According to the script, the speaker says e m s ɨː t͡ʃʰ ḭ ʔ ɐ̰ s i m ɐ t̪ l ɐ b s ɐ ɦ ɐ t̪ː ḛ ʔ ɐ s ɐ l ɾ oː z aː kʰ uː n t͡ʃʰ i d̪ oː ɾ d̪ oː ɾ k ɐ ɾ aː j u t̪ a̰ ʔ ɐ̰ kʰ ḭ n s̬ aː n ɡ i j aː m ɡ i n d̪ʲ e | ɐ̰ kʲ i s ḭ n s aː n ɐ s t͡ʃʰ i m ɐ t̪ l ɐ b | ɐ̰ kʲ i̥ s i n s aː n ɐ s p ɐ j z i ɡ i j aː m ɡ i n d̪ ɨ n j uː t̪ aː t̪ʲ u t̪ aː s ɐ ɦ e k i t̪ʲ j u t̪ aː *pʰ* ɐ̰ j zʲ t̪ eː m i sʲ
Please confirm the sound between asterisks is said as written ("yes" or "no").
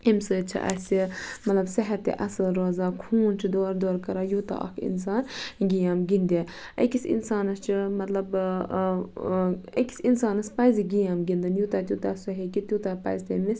no